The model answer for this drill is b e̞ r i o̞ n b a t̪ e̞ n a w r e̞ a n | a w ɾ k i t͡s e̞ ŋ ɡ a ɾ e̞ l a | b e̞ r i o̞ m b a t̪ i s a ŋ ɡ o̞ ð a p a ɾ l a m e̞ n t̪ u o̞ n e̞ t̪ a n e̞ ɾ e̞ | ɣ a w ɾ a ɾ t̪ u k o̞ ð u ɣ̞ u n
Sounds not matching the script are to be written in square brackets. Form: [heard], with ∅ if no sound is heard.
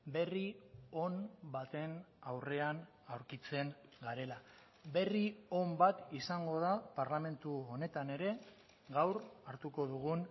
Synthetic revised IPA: b e̞ r i o̞ n b a t̪ e̞ n a w r e̞ a n | a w ɾ k i t͡s e̞ ŋ ɡ a ɾ e̞ l a | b e̞ r i o̞ m b a t̪ i s a ŋ ɡ o̞ ð a p a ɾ l a m e̞ n t̪ u o̞ n e̞ t̪ a n e̞ ɾ e̞ | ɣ a w ɾ a ɾ t̪ u k o̞ ð u ɣ̞ u n